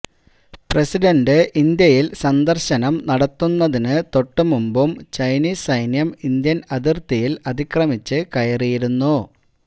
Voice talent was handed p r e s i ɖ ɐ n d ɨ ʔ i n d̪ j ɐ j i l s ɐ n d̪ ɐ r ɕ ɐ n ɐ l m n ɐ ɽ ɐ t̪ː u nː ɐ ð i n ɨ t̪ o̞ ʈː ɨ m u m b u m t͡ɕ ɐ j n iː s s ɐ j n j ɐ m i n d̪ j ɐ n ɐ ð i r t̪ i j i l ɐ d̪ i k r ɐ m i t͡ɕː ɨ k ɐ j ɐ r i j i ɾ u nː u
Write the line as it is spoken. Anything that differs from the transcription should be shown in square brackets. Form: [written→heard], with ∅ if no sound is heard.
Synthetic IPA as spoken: p r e s i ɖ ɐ n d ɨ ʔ i n d̪ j ɐ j i l s ɐ n d̪ ɐ r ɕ ɐ n ɐ [l→∅] m n ɐ ɽ ɐ t̪ː u nː ɐ ð i n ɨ t̪ o̞ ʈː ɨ m u m b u m t͡ɕ ɐ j n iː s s ɐ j n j ɐ m i n d̪ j ɐ n ɐ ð i r t̪ i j i l ɐ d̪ i k r ɐ m i t͡ɕː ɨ k ɐ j ɐ r i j i ɾ u nː u